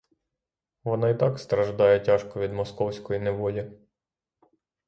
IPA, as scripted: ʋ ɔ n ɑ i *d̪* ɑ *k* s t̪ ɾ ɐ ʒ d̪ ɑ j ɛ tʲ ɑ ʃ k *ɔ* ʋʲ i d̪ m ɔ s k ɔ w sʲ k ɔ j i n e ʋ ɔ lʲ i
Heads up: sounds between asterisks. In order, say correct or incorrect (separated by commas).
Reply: incorrect, correct, correct